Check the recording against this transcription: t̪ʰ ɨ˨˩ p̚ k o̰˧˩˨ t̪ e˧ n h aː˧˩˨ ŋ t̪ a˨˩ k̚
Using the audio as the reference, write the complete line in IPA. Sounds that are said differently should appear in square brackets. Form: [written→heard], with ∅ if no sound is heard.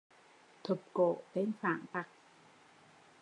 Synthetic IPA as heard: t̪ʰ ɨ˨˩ p̚ k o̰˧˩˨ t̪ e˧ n [h→f] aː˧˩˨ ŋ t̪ a˨˩ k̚